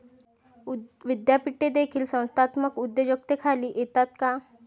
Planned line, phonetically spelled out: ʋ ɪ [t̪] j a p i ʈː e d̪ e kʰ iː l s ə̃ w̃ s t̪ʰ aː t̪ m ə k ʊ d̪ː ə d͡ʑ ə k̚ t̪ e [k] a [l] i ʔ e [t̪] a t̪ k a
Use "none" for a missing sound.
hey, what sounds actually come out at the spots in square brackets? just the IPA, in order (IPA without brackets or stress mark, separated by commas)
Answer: d̪, kʰ, l, t̪